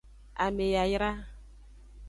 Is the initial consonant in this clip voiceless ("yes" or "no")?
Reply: no